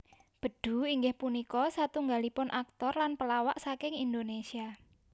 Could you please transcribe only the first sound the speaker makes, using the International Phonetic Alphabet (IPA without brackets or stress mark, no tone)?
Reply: b̥